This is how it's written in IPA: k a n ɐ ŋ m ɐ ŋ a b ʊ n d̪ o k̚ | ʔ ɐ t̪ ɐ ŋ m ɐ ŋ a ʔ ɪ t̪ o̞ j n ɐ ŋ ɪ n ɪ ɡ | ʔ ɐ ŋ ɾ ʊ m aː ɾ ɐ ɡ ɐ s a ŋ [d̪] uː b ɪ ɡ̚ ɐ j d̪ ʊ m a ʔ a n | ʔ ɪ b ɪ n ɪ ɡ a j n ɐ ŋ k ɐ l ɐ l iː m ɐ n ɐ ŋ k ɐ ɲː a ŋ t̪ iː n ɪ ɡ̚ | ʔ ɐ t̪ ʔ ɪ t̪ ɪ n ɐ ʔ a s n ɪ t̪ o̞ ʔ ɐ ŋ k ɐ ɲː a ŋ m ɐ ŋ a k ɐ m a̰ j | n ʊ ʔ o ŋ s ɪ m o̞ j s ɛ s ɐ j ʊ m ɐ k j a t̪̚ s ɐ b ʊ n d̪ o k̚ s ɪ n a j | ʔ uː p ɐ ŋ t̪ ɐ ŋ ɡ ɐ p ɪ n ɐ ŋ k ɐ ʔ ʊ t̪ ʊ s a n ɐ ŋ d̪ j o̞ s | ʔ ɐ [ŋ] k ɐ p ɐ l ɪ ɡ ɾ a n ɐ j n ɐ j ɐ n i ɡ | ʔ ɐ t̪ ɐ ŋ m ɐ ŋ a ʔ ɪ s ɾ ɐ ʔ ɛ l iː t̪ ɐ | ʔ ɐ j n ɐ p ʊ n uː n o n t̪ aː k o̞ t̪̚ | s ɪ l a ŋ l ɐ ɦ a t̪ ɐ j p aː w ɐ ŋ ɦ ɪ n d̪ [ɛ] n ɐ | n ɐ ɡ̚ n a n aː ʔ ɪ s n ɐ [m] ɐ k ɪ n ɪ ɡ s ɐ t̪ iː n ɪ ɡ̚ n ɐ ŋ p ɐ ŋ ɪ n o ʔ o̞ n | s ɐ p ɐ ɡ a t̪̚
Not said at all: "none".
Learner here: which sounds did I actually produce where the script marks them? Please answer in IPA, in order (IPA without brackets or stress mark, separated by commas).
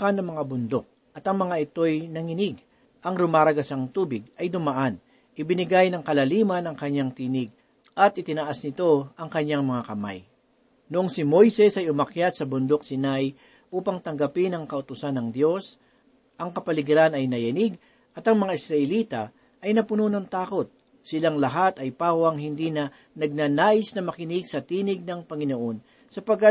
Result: t̪, ŋ, i, m